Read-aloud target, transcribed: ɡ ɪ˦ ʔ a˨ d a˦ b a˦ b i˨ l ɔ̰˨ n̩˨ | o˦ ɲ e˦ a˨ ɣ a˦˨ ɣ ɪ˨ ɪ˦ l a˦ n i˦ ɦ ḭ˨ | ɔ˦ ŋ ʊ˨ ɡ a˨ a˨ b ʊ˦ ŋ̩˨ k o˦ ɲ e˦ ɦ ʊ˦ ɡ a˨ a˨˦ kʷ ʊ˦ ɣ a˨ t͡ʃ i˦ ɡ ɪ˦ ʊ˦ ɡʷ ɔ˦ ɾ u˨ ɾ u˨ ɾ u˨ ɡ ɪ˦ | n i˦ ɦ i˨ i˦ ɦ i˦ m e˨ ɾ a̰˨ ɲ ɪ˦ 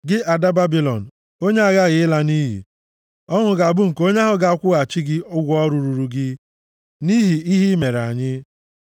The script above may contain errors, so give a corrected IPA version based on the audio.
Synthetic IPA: ɡ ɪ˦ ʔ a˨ d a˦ b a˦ b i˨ l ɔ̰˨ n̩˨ | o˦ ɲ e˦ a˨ ɣ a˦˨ ɣ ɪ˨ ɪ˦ l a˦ n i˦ ɦ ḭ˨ | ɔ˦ ŋ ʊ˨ ɡ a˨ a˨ b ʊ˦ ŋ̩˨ k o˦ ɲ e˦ ɦ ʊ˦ ɡ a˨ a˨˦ kʷ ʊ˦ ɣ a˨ t͡ʃ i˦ ɡ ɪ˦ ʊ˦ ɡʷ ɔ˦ ɾ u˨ ɾ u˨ ɾ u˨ ɡ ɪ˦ | n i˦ ɦ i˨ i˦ ɦ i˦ m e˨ ɾ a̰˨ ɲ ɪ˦